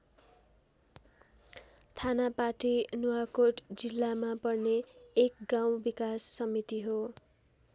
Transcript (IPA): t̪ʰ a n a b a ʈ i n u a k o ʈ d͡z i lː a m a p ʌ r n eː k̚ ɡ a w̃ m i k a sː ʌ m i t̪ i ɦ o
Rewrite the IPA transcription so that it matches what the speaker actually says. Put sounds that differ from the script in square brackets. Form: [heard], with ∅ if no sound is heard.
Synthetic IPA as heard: t̪ʰ a n a [p] a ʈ i n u a k o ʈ d͡z i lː a m a p ʌ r n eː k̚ ɡ a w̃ [b] i k a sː ʌ m i t̪ i ɦ o